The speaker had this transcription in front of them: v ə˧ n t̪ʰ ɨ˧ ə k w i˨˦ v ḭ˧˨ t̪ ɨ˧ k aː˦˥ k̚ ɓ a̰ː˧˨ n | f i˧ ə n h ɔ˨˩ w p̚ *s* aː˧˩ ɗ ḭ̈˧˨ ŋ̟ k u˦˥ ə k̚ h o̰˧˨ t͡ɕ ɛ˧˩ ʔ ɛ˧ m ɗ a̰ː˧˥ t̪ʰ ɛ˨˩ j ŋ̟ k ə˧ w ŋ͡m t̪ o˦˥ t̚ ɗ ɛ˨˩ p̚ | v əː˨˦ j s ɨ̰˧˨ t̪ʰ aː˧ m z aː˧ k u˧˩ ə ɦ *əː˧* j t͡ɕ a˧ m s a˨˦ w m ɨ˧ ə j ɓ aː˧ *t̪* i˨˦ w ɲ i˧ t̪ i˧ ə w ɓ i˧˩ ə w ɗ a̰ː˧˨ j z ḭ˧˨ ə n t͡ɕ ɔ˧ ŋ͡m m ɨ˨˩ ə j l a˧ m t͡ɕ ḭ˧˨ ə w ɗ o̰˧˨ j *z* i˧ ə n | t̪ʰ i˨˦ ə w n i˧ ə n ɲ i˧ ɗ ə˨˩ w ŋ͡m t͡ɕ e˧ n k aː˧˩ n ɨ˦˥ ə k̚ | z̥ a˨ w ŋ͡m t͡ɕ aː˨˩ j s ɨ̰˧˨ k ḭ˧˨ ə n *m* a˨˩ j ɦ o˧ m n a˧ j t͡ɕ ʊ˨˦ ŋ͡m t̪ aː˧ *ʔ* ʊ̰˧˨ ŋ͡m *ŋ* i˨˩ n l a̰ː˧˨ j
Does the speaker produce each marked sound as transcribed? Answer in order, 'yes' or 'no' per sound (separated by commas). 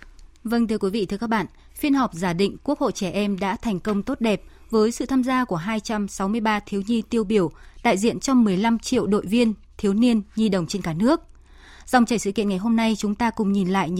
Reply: no, no, no, no, no, no, no